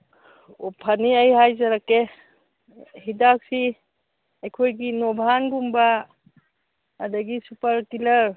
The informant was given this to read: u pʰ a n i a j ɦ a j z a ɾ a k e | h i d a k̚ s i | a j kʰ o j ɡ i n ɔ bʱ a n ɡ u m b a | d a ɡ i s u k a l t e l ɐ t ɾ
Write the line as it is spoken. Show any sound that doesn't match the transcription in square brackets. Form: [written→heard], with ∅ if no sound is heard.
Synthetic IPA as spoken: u pʰ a n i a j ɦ a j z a ɾ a k e | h i d a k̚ s i | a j kʰ o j ɡ i n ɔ bʱ a n ɡ u m b a | d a ɡ i s u [k→p] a [l→ɾ] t [e→i] l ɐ [t→∅] ɾ